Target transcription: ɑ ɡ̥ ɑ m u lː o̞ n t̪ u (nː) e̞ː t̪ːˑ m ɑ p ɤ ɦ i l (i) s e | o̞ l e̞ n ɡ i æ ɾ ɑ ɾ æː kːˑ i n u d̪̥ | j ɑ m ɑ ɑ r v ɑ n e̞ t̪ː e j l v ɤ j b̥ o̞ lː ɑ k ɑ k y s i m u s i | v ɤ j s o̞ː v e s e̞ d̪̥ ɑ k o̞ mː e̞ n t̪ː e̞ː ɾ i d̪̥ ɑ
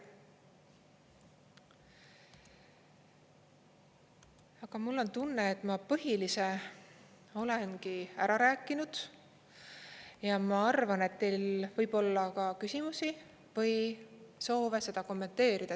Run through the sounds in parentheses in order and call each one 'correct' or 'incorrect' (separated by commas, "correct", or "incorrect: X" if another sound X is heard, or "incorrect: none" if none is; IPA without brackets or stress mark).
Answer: correct, correct